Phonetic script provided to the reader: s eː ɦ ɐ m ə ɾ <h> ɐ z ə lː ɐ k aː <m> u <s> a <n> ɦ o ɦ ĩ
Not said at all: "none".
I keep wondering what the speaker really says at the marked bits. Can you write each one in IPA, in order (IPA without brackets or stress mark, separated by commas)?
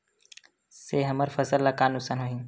f, n, s, n